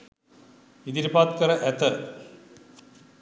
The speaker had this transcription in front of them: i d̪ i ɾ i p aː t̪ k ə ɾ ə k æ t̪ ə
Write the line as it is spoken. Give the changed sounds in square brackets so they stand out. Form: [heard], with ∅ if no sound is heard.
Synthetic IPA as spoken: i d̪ i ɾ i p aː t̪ k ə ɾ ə [ʔ] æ t̪ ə

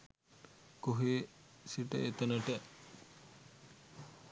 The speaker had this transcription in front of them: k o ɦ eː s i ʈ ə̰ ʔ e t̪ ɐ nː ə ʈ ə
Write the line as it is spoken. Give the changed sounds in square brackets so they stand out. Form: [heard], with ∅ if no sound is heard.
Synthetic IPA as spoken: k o ɦ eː s i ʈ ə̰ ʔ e t̪ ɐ [n] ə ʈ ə

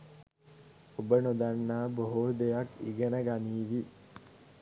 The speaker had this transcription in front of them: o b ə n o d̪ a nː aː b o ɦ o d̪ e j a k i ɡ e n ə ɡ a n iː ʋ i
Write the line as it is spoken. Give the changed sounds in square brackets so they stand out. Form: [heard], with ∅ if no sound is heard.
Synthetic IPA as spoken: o b ə n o d̪ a nː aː b o ɦ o d̪ e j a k i ɡ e n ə ɡ a n iː ʋ i

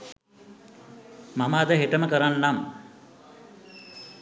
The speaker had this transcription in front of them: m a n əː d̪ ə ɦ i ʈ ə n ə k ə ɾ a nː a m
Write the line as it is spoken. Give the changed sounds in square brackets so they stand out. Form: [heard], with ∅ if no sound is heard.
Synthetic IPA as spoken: m a [m] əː d̪ ə ɦ [e] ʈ ə [m] ə k ə ɾ a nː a m

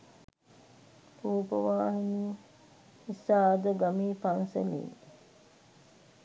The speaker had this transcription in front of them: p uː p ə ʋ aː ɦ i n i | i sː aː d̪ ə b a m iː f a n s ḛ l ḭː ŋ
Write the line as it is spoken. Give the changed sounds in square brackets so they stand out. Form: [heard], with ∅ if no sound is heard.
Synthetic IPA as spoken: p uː p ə ʋ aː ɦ i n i | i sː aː d̪ ə [ɡ] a m iː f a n s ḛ l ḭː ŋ

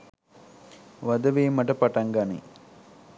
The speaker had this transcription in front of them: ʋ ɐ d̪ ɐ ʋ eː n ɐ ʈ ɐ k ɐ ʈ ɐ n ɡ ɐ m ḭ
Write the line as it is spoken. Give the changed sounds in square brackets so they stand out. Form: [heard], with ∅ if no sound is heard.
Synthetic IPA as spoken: ʋ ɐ d̪ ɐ ʋ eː [m] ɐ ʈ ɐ [p] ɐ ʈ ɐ [ŋ] ɡ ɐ [n] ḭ

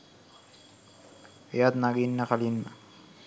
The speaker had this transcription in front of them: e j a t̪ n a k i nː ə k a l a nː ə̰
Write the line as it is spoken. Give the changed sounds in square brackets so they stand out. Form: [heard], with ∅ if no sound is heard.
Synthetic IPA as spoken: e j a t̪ n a [ɡ] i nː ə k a l [i] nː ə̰

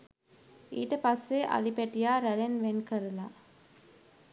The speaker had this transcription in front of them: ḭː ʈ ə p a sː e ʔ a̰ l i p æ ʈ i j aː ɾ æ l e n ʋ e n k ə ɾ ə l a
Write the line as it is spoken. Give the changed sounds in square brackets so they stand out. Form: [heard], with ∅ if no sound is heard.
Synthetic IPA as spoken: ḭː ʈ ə p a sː e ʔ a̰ l i p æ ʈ i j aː ɾ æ l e n ʋ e n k ə ɾ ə l a

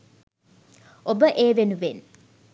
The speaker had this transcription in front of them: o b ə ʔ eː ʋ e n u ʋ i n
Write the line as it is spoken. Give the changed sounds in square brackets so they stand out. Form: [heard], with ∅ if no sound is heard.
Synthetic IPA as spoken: o b ə ʔ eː ʋ e n u ʋ [e] n

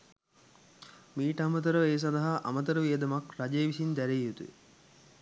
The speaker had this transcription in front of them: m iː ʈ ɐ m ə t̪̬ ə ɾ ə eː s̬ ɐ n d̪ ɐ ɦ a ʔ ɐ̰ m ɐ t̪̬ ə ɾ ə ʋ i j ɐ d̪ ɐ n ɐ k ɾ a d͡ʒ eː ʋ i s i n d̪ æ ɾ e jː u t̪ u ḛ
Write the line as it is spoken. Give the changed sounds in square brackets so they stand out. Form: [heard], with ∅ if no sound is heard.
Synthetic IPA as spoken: m iː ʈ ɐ m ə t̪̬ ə ɾ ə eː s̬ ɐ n d̪ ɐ ɦ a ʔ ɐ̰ m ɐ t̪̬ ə ɾ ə ʋ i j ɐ d̪ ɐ [m] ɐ k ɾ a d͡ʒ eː ʋ i s i n d̪ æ ɾ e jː u t̪ u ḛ

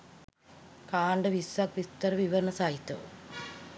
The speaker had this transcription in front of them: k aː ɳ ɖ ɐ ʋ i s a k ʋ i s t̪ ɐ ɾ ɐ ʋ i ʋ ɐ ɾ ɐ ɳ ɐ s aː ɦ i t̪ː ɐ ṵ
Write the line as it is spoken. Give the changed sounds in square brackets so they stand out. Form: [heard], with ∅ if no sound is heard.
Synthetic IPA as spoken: k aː ɳ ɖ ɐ ʋ i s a k ʋ i s t̪ ɐ ɾ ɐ ʋ i ʋ ɐ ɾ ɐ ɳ ɐ s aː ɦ i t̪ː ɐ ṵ

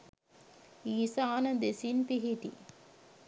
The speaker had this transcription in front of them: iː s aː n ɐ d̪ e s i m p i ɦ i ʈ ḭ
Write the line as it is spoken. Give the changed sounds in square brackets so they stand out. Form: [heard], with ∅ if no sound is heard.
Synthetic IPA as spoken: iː s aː n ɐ d̪ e s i [n] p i ɦ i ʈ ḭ

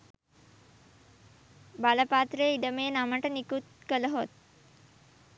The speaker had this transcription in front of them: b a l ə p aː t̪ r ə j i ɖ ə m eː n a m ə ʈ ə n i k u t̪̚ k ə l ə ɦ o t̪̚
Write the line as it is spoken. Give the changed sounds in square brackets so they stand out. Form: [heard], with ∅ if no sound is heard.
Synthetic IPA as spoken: b a l ə p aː t̪ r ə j i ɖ ə m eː n a m ə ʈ ə n i k u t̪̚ k ə l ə ɦ o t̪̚

